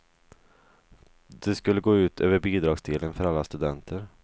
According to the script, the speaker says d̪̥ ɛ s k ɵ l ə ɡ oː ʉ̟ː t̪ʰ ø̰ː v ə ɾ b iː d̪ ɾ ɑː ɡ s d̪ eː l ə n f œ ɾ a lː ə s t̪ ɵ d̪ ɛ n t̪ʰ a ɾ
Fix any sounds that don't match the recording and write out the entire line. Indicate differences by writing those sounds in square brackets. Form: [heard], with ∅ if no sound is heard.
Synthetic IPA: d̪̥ ɛ s k ɵ [lː] ə ɡ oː ʉ̟ː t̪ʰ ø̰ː v ə ɾ b iː d̪ ɾ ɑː ɡ s d̪ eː l ə n f œ ɾ a lː [a] s t̪ ɵ d̪ ɛ n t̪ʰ [ə] ɾ